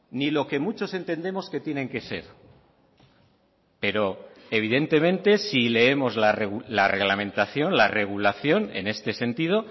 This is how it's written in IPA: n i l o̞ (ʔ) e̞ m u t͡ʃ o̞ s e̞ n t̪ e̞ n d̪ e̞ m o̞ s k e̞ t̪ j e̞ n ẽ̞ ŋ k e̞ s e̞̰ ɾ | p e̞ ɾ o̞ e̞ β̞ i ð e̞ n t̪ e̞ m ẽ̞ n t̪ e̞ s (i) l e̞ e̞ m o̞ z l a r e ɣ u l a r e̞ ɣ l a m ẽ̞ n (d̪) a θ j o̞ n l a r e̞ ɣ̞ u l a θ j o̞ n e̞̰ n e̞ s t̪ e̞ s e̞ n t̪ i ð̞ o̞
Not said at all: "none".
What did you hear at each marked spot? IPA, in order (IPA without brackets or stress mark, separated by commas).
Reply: k, i, t̪